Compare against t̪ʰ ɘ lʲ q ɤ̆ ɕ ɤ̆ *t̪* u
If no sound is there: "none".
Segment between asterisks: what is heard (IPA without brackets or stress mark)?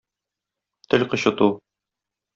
t̪